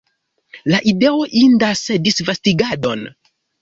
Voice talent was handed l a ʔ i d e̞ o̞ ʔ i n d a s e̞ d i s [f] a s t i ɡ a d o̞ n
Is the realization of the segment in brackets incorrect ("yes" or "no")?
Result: yes